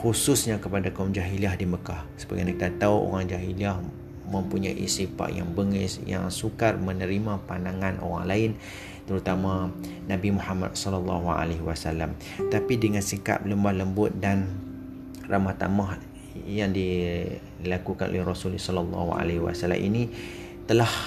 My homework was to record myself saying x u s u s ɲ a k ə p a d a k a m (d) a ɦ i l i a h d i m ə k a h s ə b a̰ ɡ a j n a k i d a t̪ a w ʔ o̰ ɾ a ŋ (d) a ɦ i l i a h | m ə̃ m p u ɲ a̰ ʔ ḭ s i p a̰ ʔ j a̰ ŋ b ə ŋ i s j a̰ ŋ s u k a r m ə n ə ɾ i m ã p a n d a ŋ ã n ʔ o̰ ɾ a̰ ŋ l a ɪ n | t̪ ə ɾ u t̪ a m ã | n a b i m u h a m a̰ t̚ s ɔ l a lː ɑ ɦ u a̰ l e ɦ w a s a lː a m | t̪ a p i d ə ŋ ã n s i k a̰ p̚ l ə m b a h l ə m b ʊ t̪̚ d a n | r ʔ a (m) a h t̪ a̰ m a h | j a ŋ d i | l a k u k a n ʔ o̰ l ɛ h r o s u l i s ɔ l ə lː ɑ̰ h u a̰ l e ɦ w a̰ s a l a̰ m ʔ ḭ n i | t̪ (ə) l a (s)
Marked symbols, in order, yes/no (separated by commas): no, no, yes, yes, no